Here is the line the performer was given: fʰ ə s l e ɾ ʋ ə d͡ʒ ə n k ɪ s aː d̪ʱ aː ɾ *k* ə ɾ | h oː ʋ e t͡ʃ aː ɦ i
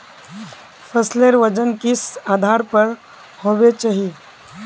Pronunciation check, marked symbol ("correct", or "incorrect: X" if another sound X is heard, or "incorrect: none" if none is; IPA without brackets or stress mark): incorrect: p